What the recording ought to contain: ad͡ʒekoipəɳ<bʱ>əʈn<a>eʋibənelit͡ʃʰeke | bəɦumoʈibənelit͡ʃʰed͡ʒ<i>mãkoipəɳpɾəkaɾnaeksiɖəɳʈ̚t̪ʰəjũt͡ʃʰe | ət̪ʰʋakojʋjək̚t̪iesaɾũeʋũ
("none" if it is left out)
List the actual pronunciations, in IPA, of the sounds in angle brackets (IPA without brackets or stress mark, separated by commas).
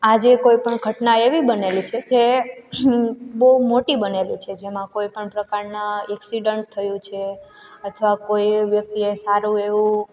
ɡʱ, a, e